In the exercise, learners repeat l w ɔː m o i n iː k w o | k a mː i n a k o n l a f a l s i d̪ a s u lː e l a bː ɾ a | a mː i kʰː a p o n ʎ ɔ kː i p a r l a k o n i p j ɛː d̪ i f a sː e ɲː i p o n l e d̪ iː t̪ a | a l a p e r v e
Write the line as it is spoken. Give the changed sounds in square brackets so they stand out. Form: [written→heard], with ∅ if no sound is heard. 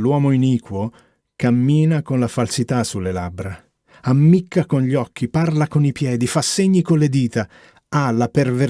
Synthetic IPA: l w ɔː m o i n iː k w o | k a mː [i→iː] n a k o n l a f a l s i [d̪→t̪] a s u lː e l a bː ɾ a | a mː i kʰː a [p→k] o n ʎ ɔ kː i p a r l a k o n i p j ɛː d̪ i f a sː e ɲː i [p→k] o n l e d̪ iː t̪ a | a l a p e r v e